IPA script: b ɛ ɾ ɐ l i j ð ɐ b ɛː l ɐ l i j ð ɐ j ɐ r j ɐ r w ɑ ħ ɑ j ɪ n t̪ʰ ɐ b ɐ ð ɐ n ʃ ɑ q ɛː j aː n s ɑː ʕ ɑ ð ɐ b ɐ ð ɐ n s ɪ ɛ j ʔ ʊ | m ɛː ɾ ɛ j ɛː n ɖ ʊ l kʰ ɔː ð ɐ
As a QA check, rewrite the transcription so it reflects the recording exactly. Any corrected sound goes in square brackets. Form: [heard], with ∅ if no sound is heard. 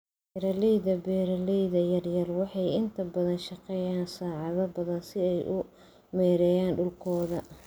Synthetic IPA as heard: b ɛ ɾ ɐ l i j ð ɐ b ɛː [ɾ] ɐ l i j ð ɐ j ɐ r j ɐ r w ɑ ħ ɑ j ɪ n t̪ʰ ɐ b ɐ ð ɐ n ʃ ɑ q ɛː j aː n s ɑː ʕ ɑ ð ɐ b ɐ ð ɐ n s ɪ ɛ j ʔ ʊ | m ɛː ɾ ɛ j [aː] n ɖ ʊ l kʰ ɔː ð ɐ